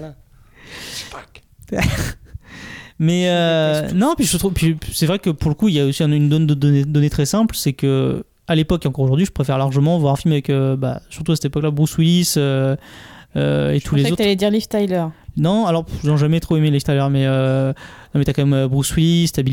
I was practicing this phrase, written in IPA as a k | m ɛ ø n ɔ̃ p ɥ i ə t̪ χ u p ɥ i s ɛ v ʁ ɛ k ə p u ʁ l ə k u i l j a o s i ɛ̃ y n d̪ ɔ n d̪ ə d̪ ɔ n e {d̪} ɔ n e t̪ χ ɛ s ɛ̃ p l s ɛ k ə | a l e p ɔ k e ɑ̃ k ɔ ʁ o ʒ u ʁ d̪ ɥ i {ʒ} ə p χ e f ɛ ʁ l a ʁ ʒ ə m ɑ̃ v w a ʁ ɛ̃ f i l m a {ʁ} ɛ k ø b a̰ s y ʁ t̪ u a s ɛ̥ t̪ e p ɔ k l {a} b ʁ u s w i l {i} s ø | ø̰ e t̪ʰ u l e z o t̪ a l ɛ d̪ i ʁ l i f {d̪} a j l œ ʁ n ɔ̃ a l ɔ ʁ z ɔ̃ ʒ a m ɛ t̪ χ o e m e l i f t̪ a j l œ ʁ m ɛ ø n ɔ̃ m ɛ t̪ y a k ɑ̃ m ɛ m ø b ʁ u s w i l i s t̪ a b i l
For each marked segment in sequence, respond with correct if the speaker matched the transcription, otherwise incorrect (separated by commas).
correct, correct, incorrect, correct, correct, incorrect